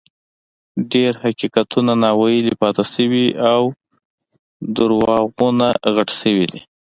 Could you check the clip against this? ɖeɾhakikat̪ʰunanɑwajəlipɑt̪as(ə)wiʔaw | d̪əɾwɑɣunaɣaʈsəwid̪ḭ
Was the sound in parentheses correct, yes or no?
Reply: yes